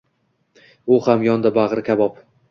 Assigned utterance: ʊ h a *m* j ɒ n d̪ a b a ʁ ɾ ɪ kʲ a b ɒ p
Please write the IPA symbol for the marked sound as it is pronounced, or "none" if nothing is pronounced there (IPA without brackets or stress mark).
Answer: m